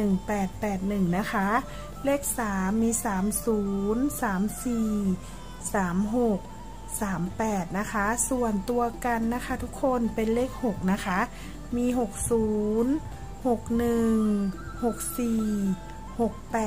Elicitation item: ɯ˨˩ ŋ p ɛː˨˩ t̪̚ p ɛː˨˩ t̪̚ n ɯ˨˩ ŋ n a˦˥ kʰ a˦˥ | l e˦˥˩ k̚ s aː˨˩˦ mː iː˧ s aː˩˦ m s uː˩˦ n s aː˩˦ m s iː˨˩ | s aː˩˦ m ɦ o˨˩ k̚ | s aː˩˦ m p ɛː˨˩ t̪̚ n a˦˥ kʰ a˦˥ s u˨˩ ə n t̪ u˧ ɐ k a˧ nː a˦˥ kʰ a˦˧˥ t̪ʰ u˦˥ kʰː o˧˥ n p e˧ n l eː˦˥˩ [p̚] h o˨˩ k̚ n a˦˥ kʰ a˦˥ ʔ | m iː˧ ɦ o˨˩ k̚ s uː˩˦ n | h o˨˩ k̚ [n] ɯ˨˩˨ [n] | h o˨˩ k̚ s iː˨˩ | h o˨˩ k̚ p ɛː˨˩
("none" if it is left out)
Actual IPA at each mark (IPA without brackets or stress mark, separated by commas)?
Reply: k̚, n, ŋ